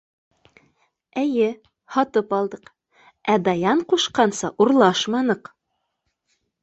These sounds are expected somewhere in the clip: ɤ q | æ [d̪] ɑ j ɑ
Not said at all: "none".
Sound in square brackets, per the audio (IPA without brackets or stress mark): d̪